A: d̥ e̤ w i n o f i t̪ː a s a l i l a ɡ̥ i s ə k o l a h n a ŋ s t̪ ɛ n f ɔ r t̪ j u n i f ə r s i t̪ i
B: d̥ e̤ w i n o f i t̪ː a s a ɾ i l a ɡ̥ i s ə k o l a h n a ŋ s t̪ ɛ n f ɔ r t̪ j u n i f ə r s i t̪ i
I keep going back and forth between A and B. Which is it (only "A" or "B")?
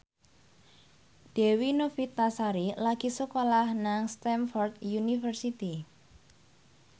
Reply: B